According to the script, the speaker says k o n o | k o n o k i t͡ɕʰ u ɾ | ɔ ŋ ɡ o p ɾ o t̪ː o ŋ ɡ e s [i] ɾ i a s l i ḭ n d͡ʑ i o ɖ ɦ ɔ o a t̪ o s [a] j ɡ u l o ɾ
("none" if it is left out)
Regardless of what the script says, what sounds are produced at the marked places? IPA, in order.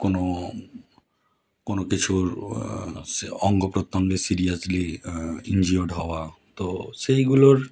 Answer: i, e

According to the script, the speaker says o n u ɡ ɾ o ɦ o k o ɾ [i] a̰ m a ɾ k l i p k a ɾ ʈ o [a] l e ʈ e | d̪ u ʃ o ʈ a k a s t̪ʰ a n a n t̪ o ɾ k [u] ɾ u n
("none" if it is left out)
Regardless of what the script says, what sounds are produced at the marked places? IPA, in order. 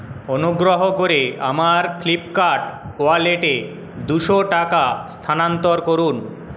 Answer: e, a, o

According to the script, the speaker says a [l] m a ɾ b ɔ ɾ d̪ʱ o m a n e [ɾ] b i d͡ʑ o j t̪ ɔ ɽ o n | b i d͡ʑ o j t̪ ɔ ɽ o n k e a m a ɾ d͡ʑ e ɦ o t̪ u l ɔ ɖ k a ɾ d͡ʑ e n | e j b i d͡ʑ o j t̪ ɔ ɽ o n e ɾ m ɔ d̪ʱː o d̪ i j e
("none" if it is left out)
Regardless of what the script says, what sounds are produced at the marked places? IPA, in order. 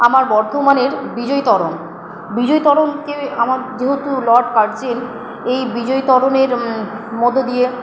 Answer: none, ɾ

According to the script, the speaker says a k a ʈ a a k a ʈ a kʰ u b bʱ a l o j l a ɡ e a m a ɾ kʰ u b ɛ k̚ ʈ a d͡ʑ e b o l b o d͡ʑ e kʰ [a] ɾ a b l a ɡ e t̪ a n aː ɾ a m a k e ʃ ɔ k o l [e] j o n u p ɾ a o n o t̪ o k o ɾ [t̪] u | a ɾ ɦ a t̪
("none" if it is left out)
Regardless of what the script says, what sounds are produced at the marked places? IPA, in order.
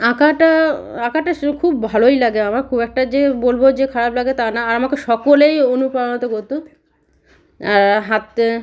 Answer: a, e, t̪

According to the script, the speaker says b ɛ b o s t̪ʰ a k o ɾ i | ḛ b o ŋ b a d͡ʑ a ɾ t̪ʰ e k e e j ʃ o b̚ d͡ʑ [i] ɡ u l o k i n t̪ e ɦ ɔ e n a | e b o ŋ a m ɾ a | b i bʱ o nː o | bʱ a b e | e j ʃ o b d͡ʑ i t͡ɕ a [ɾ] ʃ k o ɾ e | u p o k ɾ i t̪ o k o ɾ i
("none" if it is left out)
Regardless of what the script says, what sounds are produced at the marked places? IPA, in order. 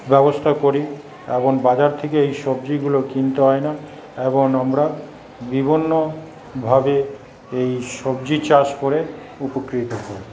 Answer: i, none

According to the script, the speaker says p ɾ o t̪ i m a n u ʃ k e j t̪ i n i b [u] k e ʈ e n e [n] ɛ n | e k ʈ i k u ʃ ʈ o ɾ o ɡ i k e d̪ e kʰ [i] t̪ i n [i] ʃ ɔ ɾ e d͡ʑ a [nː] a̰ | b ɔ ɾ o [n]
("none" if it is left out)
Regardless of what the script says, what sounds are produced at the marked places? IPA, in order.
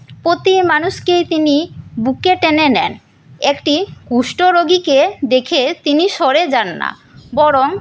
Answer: u, n, e, i, nː, ŋ

